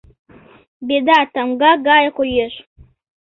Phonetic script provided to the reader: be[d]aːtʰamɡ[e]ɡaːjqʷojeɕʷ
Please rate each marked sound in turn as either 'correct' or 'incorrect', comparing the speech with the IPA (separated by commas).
correct, incorrect